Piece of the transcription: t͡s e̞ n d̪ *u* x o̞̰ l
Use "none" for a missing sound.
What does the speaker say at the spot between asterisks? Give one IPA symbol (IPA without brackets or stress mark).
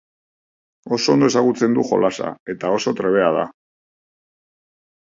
u